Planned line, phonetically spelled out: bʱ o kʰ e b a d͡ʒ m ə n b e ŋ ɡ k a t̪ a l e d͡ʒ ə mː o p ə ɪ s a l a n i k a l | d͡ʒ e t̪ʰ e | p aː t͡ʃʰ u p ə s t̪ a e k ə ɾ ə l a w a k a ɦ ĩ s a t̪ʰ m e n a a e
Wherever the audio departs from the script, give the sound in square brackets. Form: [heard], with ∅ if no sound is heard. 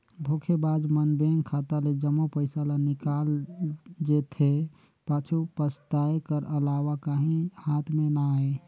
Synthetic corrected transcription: bʱ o kʰ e b a d͡ʒ m ə n b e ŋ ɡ [kʰ] a t̪ a l e d͡ʒ ə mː o p ə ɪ s a l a n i k a l | d͡ʒ e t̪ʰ e | p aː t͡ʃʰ u p ə s t̪ a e k ə ɾ ə l a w a k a ɦ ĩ [h] a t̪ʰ m e n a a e